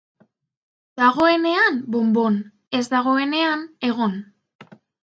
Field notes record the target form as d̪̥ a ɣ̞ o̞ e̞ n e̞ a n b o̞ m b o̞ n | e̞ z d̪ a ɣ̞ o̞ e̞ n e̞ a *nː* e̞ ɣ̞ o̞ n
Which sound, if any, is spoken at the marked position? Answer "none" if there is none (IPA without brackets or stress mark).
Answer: n